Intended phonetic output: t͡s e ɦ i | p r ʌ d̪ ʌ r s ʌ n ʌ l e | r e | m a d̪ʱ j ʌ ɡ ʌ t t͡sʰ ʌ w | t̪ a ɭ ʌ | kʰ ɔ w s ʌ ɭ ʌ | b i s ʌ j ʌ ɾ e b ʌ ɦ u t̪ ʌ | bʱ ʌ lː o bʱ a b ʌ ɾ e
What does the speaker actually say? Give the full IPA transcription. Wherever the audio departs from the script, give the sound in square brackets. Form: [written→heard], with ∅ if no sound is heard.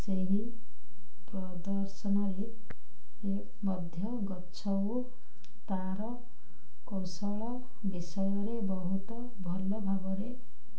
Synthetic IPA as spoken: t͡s e ɦ i | p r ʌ d̪ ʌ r s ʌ n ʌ [l→ɾ] e | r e | m [a→ʌ] d̪ʱ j ʌ ɡ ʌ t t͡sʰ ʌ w | t̪ a [ɭ→ɾ] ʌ | [kʰ→k] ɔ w s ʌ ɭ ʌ | b i s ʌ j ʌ ɾ e b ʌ ɦ u t̪ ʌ | bʱ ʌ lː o bʱ a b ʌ ɾ e

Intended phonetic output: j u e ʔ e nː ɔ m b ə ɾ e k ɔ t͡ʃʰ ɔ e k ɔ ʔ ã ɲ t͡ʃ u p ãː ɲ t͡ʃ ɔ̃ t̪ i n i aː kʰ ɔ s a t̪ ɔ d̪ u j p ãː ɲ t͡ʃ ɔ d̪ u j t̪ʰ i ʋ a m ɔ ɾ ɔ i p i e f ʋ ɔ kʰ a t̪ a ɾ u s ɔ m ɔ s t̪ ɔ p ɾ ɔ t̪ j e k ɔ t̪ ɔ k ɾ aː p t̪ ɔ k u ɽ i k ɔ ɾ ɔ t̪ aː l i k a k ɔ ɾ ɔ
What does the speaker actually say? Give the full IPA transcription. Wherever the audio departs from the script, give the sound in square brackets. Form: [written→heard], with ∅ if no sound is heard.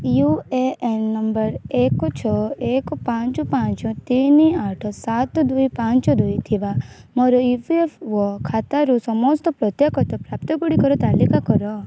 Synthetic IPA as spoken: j u e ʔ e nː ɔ m b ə ɾ e k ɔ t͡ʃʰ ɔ e k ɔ [ʔ→p] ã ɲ t͡ʃ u p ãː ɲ t͡ʃ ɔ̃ t̪ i n i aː [kʰ→ʈʰ] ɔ s a t̪ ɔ d̪ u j p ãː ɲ t͡ʃ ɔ d̪ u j t̪ʰ i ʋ a m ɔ ɾ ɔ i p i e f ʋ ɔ kʰ a t̪ a ɾ u s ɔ m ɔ s t̪ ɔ p ɾ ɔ t̪ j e k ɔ t̪ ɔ [k→p] ɾ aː p t̪ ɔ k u ɽ i k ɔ ɾ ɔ t̪ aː l i k a k ɔ ɾ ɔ

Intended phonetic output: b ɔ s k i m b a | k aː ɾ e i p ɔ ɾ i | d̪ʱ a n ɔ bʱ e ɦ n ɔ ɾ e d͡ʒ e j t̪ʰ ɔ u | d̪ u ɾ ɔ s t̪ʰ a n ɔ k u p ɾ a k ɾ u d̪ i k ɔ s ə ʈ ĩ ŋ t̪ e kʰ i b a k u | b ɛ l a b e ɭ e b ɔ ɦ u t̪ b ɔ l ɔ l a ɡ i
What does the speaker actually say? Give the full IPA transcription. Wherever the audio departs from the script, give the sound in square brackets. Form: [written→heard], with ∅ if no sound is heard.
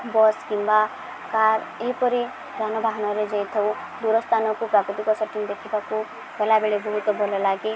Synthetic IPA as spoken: b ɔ s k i m b a | k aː ɾ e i p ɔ ɾ i | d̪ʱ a n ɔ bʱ [e→a] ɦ n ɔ ɾ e d͡ʒ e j t̪ʰ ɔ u | d̪ u ɾ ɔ s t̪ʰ a n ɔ k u p ɾ a k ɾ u [d̪→t̪] i k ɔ s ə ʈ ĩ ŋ [t̪→d̪] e kʰ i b a k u | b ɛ l a b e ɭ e b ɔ ɦ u t̪ b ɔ l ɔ l a ɡ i

